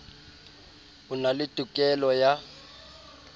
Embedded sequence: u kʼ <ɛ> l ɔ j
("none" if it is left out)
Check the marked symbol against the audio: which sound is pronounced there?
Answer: ɛ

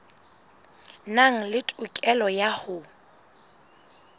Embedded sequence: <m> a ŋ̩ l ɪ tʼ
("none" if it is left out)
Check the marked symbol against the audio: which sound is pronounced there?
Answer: n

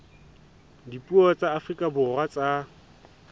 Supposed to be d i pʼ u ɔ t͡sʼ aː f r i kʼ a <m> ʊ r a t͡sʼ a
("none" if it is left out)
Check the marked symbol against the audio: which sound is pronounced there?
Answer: b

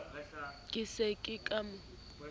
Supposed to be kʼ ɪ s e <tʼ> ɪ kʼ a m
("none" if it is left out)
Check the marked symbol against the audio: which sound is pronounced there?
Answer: kʼ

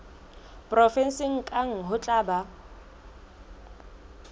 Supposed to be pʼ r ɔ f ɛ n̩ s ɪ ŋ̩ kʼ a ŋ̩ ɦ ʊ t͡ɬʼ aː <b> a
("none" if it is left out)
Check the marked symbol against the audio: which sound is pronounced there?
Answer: b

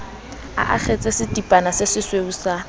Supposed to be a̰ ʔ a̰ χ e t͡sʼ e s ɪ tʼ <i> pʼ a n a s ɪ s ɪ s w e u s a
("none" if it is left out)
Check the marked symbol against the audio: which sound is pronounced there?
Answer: i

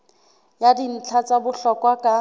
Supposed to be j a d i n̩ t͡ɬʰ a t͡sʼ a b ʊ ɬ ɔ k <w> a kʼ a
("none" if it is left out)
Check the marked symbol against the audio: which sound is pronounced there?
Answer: w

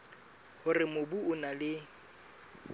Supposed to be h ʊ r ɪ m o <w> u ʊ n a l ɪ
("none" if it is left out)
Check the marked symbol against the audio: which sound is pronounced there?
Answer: b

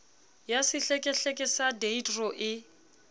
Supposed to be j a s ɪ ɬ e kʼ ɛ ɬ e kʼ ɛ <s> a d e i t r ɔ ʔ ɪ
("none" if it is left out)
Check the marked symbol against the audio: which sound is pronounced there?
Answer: s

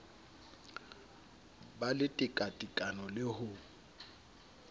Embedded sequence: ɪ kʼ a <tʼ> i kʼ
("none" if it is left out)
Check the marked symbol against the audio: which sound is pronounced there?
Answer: tʼ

